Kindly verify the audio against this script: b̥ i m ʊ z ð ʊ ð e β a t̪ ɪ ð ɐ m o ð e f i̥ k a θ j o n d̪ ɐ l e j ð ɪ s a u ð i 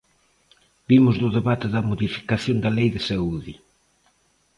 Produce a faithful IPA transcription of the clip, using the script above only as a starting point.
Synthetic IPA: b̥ i m ʊ z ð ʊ ð e β a t̪ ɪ ð ɐ m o ð i f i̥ k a θ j o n d̪ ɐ l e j ð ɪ s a u ð i